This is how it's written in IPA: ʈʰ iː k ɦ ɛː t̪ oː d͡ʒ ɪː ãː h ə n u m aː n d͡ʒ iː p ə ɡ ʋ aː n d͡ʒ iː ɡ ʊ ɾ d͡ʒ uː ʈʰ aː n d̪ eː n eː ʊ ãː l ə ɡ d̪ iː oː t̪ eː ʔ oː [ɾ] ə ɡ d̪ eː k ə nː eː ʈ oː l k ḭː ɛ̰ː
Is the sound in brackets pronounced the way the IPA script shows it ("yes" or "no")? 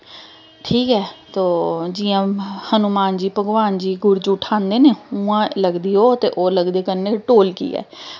no